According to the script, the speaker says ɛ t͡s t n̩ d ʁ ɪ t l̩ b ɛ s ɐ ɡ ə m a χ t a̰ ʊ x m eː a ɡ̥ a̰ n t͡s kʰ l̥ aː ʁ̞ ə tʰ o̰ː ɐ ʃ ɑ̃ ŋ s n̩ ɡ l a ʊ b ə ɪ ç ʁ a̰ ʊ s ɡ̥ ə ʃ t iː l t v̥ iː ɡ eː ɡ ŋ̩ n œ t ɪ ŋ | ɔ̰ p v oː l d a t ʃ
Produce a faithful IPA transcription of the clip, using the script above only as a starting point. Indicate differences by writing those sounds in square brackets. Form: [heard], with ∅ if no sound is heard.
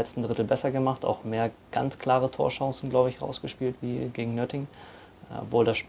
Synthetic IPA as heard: ɛ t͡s t n̩ d ʁ ɪ t l̩ b ɛ s ɐ ɡ ə m a χ t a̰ ʊ x m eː [ɐ] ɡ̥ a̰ n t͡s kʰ l̥ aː ʁ̞ ə tʰ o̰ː ɐ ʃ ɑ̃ ŋ s n̩ ɡ l a ʊ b ə ɪ ç ʁ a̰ ʊ s ɡ̥ ə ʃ [p] iː l t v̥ iː ɡ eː ɡ ŋ̩ n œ t ɪ ŋ | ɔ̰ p v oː l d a [s] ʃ